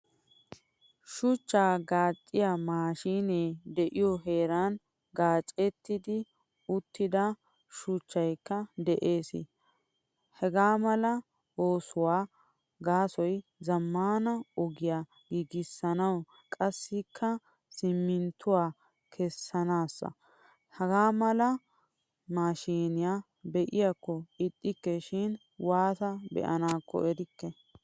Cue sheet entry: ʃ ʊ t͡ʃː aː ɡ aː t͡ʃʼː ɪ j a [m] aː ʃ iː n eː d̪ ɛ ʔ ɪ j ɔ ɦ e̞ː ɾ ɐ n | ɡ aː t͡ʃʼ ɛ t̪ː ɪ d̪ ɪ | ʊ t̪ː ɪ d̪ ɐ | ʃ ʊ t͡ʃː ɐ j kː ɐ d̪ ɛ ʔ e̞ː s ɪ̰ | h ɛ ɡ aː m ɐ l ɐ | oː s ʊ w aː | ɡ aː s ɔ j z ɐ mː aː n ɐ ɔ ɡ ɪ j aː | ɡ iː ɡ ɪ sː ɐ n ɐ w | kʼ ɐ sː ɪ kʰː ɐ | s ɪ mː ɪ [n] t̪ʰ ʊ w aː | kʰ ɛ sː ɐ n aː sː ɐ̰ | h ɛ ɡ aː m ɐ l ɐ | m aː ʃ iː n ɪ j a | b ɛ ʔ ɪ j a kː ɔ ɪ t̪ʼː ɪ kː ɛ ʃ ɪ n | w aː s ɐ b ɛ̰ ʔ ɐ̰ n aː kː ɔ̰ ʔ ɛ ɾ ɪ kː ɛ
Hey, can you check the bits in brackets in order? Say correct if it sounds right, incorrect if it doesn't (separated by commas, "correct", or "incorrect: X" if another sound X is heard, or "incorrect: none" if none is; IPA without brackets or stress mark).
correct, correct